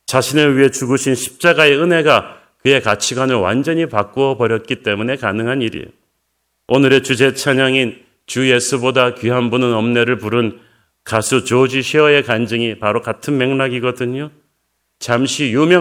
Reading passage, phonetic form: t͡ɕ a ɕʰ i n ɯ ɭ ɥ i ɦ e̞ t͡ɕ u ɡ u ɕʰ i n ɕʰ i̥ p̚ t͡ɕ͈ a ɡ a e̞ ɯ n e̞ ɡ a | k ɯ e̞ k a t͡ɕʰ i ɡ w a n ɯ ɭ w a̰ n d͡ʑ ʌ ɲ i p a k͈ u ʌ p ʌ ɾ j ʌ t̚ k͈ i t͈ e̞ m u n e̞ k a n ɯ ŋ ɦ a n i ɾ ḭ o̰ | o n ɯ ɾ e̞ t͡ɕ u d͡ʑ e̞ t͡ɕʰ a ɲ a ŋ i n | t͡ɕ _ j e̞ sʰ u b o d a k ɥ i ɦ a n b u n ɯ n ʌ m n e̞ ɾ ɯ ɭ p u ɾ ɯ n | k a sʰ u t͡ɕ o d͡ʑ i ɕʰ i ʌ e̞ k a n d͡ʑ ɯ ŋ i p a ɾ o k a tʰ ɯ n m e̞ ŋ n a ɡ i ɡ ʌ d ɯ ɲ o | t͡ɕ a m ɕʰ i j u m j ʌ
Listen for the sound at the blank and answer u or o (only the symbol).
u